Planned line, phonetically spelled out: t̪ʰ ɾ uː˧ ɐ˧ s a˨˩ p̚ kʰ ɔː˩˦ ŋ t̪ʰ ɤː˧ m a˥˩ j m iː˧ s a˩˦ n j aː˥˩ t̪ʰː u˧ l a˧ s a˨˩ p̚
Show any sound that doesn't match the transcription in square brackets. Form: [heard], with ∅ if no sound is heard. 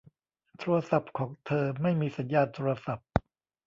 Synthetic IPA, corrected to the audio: t̪ʰ ɾ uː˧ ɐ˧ s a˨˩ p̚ kʰ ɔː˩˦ ŋ t̪ʰ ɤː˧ m a˥˩ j m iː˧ s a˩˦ n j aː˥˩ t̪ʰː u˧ [ɾ] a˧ s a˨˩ p̚